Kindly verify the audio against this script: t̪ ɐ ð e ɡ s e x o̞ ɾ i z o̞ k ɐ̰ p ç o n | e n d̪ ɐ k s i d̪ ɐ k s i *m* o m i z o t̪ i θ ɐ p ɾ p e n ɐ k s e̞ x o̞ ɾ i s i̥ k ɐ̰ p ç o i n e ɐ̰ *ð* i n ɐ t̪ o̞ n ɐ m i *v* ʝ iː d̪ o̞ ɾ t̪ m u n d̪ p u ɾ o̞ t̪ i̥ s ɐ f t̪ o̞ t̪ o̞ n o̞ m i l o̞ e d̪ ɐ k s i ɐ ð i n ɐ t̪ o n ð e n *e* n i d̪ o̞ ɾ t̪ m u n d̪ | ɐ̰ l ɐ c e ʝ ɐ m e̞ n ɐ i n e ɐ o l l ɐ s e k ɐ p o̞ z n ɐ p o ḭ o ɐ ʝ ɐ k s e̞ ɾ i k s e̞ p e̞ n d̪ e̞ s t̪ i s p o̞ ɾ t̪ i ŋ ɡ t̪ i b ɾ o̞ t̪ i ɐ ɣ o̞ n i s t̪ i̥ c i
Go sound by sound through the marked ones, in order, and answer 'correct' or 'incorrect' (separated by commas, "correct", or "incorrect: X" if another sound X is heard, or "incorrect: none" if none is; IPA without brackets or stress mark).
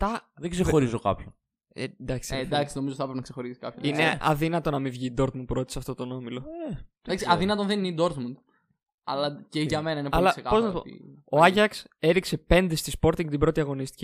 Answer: incorrect: n, correct, correct, incorrect: i